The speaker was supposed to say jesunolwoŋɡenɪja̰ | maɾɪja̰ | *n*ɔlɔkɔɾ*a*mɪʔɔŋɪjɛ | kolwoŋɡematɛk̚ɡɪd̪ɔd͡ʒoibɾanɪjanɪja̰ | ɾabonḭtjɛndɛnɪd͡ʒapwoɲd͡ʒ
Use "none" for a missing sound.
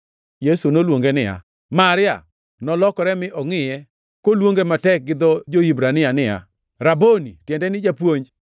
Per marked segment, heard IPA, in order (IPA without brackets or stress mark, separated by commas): n, ɛ